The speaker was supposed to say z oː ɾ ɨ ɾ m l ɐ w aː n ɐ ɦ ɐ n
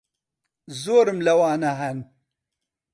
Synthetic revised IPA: z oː ɾ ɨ m l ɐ w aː n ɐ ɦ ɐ n